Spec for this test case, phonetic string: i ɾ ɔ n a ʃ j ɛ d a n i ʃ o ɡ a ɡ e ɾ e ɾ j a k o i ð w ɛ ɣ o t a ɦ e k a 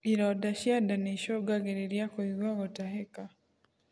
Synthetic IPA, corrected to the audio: i ɾ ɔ d a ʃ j a d a n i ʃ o ɡ a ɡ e ɾ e ɾ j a k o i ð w a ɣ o t a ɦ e k a

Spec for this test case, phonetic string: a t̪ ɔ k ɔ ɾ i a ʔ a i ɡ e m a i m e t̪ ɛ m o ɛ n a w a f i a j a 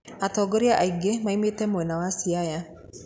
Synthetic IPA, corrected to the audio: a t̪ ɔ ɡ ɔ ɾ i a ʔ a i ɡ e m a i m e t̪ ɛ m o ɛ n a w a s i a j a

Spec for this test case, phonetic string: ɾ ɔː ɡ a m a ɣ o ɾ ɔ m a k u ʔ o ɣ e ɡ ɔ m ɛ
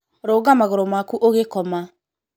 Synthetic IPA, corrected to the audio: ɾ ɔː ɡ a m a ɣ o ɾ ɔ m a k u ʔ o ɣ e k ɔ m a

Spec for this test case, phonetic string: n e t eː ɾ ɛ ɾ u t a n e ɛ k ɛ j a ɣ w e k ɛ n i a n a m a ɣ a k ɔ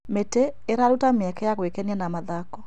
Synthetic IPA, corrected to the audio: m e t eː ɾ a ɾ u t a m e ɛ k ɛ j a ɣ w e k ɛ n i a n a m a ð a k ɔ

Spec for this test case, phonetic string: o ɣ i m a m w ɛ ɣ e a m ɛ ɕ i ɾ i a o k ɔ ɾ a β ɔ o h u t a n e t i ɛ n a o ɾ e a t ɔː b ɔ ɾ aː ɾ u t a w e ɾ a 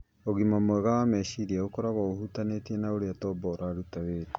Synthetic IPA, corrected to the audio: o ɣ i m a m w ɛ ɣ a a m ɛ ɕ i ɾ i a o k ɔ ɾ a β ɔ o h u t a n e t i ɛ n a o ɾ e a t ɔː b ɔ ɾ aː ɾ u t a w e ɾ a

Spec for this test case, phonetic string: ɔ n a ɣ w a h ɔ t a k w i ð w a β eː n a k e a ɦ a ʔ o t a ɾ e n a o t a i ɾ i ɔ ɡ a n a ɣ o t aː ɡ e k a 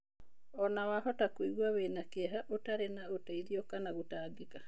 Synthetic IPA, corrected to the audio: ɔ n a w a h ɔ t a k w i ɣ w a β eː n a k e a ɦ a ʔ o t a ɾ e n a o t a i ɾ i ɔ k a n a ɣ o t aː ɡ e k a

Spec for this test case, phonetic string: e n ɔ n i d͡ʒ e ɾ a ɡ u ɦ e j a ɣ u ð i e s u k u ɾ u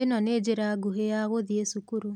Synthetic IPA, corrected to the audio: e n ɔ n e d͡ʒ e ɾ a ɡ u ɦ e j a ɣ o ð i e s u k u ɾ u

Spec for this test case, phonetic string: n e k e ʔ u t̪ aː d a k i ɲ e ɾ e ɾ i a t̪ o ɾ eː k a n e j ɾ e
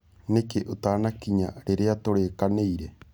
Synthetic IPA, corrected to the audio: n e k e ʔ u t̪ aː n a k i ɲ a ɾ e ɾ e a t̪ o ɾ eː k a n e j ɾ e

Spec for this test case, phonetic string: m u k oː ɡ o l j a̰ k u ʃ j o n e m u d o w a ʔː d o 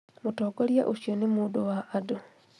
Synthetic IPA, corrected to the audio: m u t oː ɡ o l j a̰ ʔ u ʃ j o n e m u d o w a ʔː d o

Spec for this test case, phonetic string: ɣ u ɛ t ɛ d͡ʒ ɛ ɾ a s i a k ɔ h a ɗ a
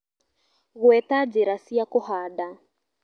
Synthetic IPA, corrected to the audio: ɣ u ɛ t a d͡ʒ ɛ ɾ a s i a k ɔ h a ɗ a

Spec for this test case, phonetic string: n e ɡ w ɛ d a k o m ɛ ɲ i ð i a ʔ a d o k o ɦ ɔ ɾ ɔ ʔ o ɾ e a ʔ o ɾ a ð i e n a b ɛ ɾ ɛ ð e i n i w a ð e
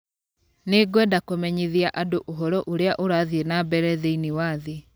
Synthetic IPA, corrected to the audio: n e ɡ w ɛ d a k o m ɛ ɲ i ð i a ʔ a d o ʔ o ɦ ɔ ɾ ɔ ʔ o ɾ e a ʔ o ɾ a ð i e n a b ɛ ɾ ɛ ð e i n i w a ð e

